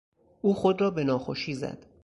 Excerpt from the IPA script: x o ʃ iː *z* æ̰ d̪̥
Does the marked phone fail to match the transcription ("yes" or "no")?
no